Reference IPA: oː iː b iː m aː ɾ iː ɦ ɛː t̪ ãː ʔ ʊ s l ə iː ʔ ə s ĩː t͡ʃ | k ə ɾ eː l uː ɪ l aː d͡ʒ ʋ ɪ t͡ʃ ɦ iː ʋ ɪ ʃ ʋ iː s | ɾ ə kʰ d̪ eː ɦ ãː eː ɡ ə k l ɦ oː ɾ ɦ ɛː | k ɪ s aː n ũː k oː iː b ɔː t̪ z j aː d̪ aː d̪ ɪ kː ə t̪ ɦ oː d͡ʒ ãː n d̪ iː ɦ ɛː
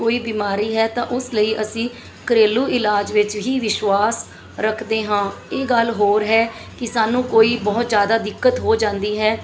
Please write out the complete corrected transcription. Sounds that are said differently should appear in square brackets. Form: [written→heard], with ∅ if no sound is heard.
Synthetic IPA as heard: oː iː b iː m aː ɾ iː ɦ ɛː t̪ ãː ʔ ʊ s l ə iː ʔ ə s ĩː [t͡ʃ→∅] | k ə ɾ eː l uː ɪ l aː d͡ʒ ʋ ɪ t͡ʃ ɦ iː ʋ ɪ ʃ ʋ [iː→aː] s | ɾ ə kʰ d̪ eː ɦ ãː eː ɡ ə [k→∅] l ɦ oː ɾ ɦ ɛː | k ɪ s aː n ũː k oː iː b ɔː t̪ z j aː d̪ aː d̪ ɪ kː ə t̪ ɦ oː d͡ʒ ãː n d̪ iː ɦ ɛː